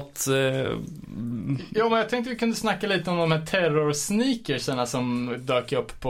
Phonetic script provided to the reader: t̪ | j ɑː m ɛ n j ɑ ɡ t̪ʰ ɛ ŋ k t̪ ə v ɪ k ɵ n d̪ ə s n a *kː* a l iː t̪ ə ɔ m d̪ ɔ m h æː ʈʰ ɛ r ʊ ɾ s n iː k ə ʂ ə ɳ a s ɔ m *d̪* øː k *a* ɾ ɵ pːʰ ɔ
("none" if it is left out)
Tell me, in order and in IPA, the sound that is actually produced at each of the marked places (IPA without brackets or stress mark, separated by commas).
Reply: kː, d̪, ə